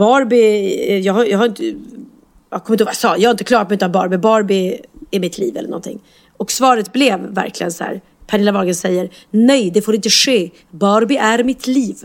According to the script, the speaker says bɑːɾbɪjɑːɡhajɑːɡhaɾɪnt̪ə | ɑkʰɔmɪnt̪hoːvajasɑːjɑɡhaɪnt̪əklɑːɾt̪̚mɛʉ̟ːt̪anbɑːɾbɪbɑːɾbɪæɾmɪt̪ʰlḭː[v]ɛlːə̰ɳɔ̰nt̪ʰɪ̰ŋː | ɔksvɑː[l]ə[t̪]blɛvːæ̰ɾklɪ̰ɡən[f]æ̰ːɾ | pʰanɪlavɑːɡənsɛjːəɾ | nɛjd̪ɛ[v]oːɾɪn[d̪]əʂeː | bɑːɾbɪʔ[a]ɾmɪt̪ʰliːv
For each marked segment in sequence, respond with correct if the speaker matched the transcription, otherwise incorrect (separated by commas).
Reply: correct, incorrect, correct, incorrect, incorrect, incorrect, incorrect